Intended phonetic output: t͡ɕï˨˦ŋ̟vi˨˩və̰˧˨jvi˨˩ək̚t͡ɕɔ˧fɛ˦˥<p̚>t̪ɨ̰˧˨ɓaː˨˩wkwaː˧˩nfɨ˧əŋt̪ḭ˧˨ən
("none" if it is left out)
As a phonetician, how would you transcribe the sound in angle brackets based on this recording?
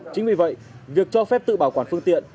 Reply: p̚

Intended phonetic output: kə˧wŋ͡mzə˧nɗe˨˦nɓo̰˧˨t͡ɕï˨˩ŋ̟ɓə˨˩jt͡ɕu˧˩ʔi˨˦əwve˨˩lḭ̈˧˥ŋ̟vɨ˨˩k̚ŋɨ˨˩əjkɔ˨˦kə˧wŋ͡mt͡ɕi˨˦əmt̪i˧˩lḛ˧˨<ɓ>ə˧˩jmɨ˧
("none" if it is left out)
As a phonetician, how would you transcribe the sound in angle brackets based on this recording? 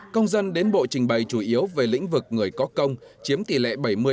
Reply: ɓ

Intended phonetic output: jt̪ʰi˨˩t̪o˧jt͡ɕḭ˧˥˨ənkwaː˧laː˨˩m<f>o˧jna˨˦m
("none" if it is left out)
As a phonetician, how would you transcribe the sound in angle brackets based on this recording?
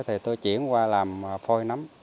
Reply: f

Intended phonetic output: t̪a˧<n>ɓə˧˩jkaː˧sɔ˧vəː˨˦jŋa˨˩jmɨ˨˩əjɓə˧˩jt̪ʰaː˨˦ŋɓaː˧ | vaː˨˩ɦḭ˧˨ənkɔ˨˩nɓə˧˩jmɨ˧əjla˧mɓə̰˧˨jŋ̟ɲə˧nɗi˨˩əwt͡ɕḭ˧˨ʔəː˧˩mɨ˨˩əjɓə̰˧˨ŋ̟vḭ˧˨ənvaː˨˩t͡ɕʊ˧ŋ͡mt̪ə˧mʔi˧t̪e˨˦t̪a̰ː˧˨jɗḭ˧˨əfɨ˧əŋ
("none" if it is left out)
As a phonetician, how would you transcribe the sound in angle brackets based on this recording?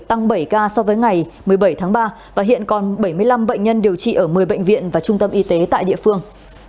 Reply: ŋ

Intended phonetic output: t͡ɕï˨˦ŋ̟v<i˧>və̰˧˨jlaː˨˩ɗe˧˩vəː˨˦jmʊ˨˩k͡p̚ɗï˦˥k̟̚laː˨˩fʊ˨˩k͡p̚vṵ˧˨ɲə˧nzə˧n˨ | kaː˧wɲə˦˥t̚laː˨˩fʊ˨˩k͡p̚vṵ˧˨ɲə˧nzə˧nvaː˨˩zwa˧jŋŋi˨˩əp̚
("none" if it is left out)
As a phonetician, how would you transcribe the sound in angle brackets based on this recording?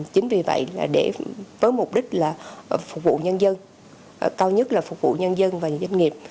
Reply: i˨˩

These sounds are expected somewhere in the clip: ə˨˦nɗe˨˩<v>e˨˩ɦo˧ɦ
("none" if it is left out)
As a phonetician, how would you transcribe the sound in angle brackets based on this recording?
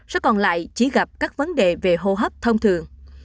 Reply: v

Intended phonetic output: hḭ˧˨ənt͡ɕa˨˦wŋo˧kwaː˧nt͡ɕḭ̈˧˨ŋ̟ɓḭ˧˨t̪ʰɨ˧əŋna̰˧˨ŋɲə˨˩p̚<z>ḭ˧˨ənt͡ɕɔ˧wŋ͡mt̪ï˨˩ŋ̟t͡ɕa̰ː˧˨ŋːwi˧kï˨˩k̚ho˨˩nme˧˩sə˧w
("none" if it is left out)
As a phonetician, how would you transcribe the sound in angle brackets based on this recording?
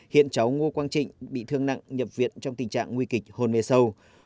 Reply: v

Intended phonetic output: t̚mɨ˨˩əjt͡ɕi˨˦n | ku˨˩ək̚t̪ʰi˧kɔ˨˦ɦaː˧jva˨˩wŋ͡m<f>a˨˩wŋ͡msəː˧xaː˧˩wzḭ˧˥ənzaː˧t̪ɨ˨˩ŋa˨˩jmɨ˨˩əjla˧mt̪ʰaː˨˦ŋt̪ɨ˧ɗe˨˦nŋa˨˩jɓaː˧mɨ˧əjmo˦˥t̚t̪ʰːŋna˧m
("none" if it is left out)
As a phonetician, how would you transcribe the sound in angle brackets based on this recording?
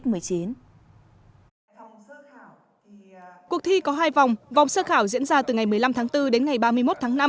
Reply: v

